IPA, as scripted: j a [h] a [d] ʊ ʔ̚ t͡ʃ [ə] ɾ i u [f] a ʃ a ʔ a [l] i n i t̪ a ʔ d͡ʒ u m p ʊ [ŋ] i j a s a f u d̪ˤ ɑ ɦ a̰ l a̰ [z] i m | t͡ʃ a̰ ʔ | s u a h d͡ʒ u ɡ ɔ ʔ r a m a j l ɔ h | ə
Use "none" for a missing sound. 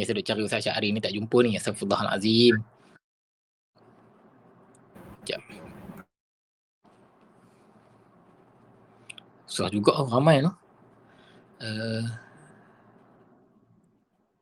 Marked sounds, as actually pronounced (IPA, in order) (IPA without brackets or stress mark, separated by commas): s, d, a, s, ɾ, n, z